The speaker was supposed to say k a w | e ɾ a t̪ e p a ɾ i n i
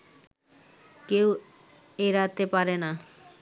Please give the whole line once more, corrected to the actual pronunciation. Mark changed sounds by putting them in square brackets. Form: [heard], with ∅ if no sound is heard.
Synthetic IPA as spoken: k [e] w | e ɾ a t̪ e p a ɾ [e] n [a]